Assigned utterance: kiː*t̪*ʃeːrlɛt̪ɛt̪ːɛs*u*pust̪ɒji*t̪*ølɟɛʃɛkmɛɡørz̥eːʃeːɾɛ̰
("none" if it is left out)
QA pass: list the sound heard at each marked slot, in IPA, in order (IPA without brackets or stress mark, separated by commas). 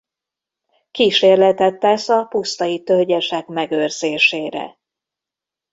none, ɒ, t̪